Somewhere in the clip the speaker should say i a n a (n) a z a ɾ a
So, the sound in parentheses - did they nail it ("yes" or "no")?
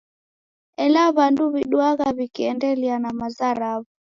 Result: no